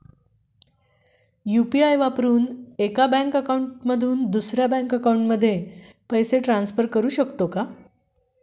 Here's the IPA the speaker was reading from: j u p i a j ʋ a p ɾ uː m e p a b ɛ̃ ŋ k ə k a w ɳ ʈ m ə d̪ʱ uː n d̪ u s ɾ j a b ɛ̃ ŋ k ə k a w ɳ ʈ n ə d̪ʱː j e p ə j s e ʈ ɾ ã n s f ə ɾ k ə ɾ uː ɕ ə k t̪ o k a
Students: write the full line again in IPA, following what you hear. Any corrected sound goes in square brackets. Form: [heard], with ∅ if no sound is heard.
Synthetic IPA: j u p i a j ʋ a p ɾ uː [n] e [k] a b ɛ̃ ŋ k ə k a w ɳ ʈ m ə d̪ʱ uː n d̪ u s ɾ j a b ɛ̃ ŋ k ə k a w ɳ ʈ [m] ə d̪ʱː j e p ə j s e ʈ ɾ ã n s f ə ɾ k ə ɾ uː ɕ ə k t̪ o k a